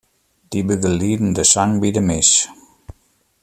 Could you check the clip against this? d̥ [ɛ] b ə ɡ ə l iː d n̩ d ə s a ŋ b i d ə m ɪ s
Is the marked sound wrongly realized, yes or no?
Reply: yes